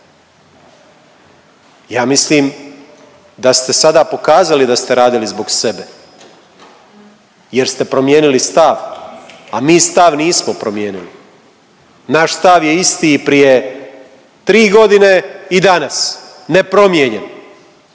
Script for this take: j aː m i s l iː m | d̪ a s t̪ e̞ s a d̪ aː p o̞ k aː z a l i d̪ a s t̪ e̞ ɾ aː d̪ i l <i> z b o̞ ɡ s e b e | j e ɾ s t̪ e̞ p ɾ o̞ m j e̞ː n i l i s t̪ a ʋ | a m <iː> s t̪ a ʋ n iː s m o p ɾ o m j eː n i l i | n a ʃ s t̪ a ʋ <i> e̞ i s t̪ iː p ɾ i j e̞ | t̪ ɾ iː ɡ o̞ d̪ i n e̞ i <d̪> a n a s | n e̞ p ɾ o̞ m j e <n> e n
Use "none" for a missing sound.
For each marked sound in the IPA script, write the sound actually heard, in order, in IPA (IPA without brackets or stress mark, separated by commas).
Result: i, iː, j, d̪, ɲ